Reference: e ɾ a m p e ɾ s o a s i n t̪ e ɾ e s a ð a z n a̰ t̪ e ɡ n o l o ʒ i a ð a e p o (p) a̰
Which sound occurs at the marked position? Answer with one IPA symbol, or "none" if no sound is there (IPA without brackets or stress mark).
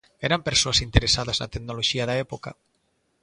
k